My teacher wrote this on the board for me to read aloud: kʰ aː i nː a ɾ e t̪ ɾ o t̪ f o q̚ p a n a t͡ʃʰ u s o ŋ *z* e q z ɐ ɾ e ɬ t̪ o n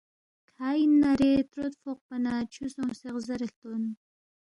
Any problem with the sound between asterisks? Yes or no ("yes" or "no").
yes